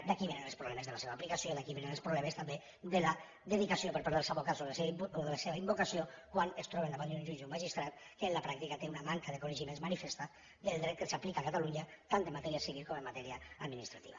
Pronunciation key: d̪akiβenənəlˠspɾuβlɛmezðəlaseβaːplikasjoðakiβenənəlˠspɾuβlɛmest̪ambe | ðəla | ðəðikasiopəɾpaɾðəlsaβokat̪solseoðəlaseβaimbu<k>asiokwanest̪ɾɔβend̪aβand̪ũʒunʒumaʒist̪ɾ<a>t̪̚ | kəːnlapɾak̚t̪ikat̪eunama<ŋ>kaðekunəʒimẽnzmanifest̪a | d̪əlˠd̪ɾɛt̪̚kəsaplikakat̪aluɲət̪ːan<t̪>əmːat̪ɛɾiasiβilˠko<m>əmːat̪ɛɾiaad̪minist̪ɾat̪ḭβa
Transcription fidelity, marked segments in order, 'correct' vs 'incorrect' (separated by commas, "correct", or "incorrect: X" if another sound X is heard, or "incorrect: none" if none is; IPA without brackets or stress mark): correct, correct, correct, correct, correct